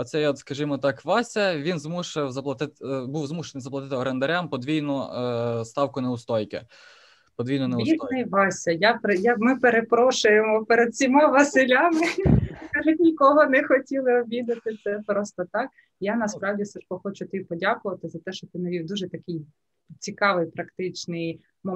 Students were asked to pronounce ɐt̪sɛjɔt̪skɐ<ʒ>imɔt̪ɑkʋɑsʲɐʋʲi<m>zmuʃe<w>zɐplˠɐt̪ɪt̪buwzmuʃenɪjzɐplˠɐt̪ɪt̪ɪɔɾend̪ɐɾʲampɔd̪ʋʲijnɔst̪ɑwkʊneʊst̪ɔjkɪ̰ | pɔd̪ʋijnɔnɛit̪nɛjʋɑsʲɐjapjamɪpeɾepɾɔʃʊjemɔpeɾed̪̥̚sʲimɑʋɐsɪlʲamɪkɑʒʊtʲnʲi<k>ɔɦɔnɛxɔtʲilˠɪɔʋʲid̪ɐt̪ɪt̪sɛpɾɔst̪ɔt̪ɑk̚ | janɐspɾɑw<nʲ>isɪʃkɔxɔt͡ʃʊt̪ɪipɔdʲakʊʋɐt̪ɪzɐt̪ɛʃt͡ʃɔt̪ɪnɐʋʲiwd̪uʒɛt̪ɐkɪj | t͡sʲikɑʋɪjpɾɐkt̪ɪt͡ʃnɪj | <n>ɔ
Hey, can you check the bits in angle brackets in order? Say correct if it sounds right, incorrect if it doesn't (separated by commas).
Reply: correct, incorrect, correct, correct, incorrect, incorrect